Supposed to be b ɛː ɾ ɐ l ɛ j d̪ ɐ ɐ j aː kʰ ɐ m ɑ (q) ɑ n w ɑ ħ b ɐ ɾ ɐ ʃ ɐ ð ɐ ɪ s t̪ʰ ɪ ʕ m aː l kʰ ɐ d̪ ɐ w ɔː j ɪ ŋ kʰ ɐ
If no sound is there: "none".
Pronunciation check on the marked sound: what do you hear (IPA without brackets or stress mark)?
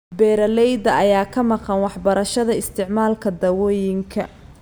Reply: q